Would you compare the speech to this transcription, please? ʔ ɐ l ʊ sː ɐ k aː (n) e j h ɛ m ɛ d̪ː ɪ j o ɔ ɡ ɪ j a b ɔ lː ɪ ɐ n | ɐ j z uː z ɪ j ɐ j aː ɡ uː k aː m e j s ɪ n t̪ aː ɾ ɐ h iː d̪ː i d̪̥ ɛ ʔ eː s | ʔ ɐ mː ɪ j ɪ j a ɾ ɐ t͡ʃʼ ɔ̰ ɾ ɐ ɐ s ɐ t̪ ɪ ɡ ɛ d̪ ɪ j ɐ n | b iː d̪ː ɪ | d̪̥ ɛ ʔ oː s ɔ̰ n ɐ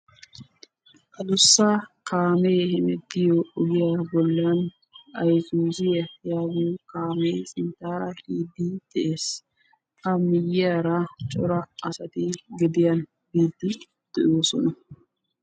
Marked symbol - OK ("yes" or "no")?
no